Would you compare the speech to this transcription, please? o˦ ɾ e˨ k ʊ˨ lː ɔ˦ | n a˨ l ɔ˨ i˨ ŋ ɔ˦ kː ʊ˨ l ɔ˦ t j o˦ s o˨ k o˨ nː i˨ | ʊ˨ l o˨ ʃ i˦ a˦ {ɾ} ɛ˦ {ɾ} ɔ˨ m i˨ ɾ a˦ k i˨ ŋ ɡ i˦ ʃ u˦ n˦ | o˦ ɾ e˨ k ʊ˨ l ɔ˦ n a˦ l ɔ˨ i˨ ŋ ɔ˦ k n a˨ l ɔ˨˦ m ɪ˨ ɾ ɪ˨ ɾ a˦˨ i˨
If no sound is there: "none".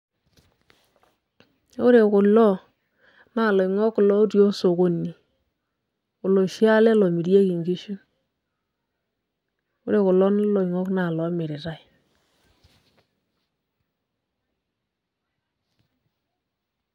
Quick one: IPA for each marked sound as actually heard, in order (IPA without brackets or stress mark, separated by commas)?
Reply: l, l